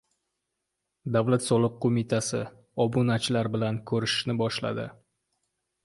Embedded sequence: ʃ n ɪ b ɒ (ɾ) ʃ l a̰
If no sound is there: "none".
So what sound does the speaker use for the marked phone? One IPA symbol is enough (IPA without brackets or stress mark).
none